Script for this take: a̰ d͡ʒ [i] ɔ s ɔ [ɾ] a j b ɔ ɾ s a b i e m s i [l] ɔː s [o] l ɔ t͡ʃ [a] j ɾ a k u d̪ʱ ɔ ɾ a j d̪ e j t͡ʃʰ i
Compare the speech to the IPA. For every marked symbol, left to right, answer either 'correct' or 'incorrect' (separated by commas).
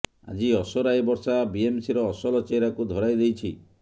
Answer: correct, correct, incorrect, incorrect, incorrect